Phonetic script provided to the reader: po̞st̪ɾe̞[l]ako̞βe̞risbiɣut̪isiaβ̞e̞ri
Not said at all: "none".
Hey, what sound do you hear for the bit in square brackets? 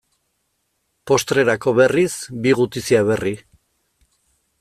ɾ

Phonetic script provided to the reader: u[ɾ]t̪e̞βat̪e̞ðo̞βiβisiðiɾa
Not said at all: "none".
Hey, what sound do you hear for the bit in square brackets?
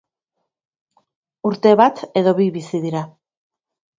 ɾ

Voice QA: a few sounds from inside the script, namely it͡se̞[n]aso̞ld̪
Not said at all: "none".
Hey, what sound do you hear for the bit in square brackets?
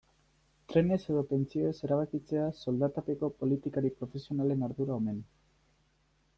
none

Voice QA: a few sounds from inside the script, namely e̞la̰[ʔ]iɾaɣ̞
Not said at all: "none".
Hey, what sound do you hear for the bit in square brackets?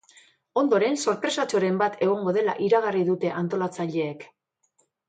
ʔ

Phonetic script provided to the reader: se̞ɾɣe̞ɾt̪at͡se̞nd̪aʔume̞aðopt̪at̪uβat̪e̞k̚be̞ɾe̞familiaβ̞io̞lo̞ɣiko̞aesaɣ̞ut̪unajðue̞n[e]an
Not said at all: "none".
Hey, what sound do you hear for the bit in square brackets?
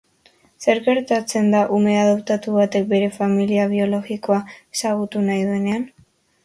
e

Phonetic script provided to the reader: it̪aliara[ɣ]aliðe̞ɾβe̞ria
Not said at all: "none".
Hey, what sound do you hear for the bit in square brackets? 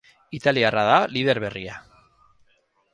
ð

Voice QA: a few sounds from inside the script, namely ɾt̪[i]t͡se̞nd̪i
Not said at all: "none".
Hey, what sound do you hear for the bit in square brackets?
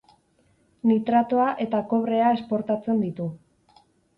a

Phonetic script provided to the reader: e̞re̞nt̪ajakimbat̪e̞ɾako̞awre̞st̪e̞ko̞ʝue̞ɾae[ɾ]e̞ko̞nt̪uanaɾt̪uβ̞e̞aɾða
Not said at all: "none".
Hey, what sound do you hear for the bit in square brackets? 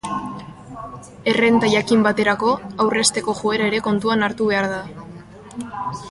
ɾ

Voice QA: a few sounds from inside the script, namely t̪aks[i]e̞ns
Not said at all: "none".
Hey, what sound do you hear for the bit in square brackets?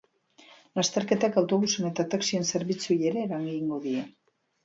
i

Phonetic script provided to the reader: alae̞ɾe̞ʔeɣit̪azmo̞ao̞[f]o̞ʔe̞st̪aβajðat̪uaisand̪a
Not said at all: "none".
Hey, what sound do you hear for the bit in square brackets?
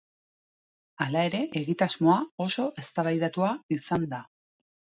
s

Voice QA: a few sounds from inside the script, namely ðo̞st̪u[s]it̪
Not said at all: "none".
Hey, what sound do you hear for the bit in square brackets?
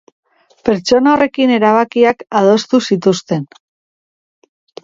s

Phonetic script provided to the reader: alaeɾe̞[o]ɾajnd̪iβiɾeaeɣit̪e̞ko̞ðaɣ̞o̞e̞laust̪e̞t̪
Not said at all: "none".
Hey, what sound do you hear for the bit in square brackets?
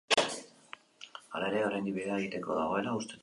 o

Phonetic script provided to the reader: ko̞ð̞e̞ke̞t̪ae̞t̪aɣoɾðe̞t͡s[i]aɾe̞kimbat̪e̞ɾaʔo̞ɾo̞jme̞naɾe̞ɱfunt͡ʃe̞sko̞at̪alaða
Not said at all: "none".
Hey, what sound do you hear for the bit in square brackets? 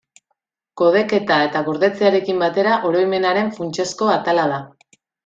e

